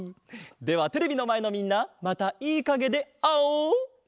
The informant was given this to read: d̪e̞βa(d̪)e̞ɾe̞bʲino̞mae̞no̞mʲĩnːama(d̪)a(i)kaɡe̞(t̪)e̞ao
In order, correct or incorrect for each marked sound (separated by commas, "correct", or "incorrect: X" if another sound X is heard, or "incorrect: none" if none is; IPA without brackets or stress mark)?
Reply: incorrect: t̪, incorrect: t̪, incorrect: iː, incorrect: d̪